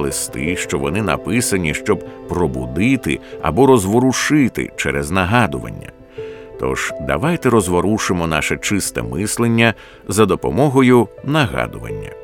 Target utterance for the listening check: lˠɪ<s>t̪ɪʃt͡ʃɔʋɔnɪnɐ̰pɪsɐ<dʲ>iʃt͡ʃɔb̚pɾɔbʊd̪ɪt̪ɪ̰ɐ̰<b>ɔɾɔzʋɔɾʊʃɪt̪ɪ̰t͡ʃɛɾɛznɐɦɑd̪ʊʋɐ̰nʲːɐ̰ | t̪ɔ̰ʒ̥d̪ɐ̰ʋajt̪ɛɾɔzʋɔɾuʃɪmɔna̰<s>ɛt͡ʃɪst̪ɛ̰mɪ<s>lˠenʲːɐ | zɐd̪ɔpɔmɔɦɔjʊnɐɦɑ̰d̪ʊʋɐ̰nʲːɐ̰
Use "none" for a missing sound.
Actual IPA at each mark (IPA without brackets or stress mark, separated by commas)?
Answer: s, nʲ, b, ʃ, s